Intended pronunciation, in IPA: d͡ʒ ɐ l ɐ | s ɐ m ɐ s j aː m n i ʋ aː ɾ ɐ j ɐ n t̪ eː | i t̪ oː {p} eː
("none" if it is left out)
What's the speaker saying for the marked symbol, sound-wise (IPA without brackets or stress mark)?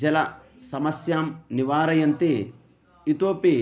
p